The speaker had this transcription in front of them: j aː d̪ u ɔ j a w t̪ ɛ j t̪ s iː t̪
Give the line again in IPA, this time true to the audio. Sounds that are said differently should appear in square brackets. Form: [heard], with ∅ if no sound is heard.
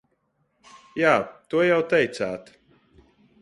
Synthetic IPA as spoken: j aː [t̪] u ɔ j a w t̪ ɛ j t̪ s [aː] t̪